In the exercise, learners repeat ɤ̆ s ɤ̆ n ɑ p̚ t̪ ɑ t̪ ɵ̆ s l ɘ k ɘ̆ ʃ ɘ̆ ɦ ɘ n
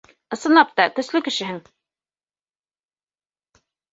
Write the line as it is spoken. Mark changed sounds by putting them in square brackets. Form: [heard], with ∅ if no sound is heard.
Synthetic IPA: ɤ̆ s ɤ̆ n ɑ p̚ t̪ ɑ t̪ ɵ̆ s l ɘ k ɘ̆ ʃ ɘ̆ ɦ ɘ [ŋ]